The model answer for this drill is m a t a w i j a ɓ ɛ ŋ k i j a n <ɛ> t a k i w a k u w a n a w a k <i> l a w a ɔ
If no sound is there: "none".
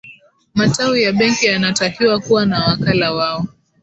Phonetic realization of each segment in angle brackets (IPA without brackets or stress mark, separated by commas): a, a